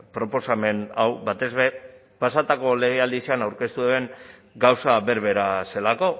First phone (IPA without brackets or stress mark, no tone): p